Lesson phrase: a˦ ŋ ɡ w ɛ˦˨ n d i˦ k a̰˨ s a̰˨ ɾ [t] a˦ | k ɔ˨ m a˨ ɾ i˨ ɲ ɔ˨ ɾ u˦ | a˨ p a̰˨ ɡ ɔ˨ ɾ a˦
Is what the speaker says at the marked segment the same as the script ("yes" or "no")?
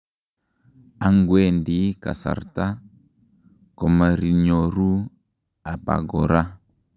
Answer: yes